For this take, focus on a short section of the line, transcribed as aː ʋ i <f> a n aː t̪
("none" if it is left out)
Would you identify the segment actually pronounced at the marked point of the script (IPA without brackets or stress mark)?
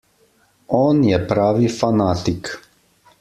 f